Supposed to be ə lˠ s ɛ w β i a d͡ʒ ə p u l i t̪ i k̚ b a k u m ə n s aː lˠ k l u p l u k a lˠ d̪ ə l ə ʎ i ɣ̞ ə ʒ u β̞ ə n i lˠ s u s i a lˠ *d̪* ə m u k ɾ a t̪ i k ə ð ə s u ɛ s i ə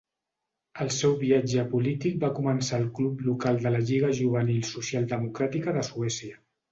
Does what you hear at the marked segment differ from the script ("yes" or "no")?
no